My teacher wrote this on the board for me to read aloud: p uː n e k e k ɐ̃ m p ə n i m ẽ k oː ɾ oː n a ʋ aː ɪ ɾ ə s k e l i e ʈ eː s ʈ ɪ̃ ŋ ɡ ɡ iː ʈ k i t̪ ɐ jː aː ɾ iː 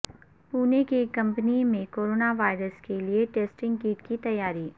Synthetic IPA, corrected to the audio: p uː n e k e k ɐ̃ m p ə n i m ẽ k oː ɾ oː n a ʋ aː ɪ ɾ ə s k e l i e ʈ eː s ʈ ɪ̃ ŋ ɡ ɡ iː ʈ k i t̪ ɐ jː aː ɾ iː